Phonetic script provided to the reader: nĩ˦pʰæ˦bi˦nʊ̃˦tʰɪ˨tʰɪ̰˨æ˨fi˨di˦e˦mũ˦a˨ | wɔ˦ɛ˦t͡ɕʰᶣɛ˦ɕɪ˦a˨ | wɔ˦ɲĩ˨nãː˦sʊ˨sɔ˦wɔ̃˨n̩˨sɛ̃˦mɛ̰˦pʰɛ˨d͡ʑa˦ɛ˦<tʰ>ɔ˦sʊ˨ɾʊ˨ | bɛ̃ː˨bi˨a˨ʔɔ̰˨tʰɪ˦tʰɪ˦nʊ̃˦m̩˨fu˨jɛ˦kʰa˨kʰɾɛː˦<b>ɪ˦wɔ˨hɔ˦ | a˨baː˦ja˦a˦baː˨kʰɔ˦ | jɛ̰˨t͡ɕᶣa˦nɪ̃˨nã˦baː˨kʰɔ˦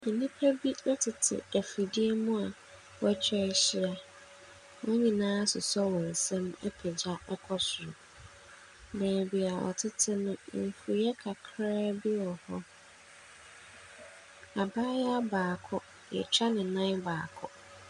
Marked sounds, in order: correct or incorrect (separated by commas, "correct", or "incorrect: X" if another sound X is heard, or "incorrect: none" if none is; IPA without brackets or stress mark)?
incorrect: kʰ, correct